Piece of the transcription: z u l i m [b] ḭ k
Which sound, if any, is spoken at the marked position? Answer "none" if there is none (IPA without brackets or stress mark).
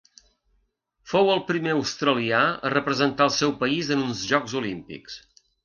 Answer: p